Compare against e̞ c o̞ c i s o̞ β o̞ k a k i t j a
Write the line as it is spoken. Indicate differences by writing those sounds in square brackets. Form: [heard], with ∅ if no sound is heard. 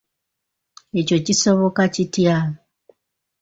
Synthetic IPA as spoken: e̞ c o̞ c i s o̞ β o̞ k a [c] i t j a